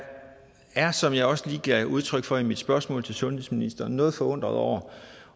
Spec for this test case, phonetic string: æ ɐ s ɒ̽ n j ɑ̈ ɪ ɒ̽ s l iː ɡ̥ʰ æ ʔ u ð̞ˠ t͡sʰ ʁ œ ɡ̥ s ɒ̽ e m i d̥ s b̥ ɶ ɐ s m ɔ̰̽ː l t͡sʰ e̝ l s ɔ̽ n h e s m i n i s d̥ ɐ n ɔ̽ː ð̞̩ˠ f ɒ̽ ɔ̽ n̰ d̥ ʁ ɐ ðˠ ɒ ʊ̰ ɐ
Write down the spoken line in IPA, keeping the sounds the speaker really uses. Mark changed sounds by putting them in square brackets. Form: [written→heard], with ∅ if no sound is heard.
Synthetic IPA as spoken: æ ɐ s ɒ̽ [n→m] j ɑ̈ ɪ ɒ̽ s l iː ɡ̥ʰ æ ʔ u ð̞ˠ t͡sʰ ʁ œ ɡ̥ [s→f] ɒ̽ [e→i] m i d̥ s b̥ ɶ ɐ s m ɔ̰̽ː l t͡sʰ e̝ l s ɔ̽ n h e s m i n i s d̥ ɐ n ɔ̽ː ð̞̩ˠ f ɒ̽ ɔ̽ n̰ d̥ ʁ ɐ ðˠ ɒ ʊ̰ ɐ